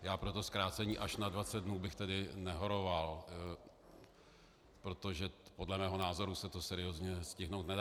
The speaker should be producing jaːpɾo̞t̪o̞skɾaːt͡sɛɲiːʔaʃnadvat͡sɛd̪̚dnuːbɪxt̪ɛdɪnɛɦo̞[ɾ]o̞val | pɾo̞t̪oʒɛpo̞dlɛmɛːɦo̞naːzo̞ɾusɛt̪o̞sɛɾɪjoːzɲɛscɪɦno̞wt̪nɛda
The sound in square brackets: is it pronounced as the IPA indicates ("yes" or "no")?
yes